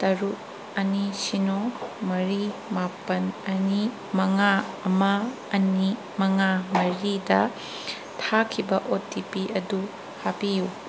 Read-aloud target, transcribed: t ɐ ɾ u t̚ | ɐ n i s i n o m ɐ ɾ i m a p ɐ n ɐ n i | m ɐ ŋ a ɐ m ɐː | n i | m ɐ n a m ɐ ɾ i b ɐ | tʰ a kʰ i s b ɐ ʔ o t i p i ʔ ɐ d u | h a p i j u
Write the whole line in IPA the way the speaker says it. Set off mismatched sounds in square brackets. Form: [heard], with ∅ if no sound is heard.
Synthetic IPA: t ɐ ɾ u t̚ | ɐ n i s i n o m ɐ ɾ i m a p ɐ n ɐ n i | m ɐ ŋ a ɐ m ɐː | n i | m ɐ [ŋ] a m ɐ ɾ i [d] ɐ | tʰ a kʰ i [∅] b ɐ ʔ o t i p i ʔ ɐ d u | h a p i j u